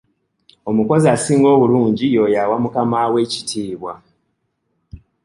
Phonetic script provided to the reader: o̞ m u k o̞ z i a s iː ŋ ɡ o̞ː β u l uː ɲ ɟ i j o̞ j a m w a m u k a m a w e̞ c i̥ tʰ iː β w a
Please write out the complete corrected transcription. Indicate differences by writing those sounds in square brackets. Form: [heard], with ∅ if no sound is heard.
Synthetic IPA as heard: o̞ m u k o̞ z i a s iː ŋ ɡ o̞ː β u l uː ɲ ɟ i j o̞ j a [∅] w a m u k a m a w e̞ c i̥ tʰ iː β w a